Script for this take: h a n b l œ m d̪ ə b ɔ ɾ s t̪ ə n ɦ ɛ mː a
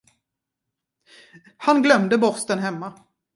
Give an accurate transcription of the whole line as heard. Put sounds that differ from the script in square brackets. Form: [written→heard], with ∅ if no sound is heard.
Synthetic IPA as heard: h a n [b→ɡ] l œ m d̪ ə b ɔ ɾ s t̪ ə n ɦ ɛ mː a

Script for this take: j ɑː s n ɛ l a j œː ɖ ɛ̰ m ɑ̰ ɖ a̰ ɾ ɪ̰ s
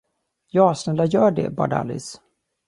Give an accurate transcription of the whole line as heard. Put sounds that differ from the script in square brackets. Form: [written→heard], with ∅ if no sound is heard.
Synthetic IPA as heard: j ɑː s n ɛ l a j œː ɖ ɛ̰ [m→b] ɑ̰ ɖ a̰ [ɾ→l] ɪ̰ s

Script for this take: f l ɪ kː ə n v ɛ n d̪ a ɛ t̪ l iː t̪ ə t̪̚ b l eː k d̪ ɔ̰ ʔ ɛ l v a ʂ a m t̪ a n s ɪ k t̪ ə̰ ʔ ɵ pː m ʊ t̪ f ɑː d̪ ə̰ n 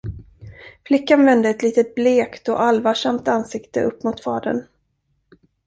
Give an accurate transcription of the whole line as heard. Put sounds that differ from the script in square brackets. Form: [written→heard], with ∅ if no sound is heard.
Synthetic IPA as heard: f l ɪ kː [ə→a] n v ɛ n d̪ [a→ə] ɛ t̪ l iː t̪ ə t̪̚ b l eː k [d̪→t̪] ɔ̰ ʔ [ɛ→a] l v a ʂ a m t̪ a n s ɪ k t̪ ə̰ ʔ ɵ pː m ʊ t̪ f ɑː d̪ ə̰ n

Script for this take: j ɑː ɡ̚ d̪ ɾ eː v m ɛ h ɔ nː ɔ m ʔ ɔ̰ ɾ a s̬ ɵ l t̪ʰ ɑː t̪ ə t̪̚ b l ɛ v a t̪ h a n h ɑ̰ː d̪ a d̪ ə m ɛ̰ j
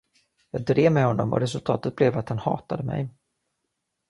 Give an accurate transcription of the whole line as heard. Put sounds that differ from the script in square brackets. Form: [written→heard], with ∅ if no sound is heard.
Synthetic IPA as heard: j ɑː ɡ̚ d̪ ɾ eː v m ɛ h ɔ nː ɔ m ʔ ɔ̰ ɾ [a→ɛ] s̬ ɵ l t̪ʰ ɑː t̪ ə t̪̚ b l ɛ v a t̪ h a n h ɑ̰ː [d̪→t̪] a d̪ ə m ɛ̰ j

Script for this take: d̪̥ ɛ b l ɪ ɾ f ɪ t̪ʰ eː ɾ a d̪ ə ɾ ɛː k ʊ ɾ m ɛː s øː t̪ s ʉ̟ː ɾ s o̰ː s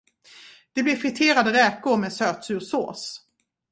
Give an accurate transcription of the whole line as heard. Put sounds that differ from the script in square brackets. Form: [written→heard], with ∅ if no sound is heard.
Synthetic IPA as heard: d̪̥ ɛ b l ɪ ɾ f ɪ t̪ʰ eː ɾ a d̪ ə ɾ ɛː k ʊ ɾ m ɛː s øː t̪ s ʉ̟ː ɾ s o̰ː s

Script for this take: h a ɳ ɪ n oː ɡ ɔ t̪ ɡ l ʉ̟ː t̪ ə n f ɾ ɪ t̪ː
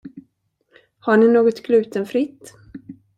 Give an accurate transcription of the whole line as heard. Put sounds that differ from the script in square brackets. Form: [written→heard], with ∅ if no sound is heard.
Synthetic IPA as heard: h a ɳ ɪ n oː ɡ ɔ t̪ ɡ l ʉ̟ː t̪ ə n f ɾ ɪ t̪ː

